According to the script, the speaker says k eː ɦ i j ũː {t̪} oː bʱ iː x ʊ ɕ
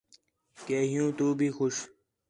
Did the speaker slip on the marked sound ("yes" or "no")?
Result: no